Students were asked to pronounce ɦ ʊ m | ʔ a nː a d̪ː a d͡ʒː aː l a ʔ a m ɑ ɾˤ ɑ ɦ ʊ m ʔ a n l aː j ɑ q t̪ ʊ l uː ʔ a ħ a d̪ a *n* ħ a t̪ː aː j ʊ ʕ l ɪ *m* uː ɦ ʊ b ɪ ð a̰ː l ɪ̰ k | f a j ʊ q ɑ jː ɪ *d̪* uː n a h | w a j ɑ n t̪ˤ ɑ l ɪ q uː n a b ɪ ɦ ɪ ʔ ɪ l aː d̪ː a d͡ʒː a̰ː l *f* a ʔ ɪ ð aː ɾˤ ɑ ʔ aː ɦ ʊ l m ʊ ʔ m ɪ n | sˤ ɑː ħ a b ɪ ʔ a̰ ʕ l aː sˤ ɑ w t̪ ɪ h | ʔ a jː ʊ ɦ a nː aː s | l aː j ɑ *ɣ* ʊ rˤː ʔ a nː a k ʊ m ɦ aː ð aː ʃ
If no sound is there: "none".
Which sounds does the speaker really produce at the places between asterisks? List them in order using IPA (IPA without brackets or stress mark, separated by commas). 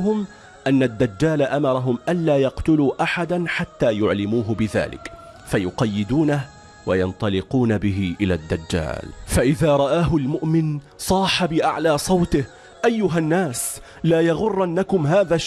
n, m, d̪, f, ɣ